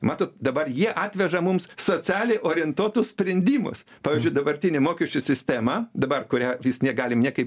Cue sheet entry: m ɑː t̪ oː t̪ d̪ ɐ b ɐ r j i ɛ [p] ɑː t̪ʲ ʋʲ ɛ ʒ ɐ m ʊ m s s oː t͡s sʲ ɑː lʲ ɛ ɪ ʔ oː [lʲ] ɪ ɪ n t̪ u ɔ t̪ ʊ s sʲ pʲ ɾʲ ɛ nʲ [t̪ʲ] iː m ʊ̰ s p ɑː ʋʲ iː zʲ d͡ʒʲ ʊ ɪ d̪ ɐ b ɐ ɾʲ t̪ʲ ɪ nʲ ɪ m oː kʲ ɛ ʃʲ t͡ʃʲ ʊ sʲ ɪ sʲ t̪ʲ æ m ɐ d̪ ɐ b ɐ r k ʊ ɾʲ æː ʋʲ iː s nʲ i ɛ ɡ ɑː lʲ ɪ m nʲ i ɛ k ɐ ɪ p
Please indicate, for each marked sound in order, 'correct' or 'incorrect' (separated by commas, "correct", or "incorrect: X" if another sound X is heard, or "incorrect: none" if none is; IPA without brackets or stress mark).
incorrect: ʔ, incorrect: ɾʲ, incorrect: d̪ʲ